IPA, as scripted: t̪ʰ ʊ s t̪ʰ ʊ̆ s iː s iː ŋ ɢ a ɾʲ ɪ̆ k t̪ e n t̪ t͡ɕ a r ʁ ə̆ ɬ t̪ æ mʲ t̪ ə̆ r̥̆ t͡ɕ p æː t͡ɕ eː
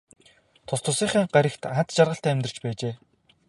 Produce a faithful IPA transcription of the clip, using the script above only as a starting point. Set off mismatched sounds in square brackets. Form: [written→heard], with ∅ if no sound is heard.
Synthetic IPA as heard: t̪ʰ ʊ s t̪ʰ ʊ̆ s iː [s→χ] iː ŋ ɢ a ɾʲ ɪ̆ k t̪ [e→a] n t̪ t͡ɕ a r ʁ ə̆ ɬ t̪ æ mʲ t̪ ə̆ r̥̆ t͡ɕ p æː t͡ɕ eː